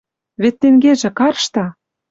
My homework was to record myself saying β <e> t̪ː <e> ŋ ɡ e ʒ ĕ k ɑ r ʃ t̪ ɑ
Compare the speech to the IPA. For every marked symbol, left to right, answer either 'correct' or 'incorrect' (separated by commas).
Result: correct, correct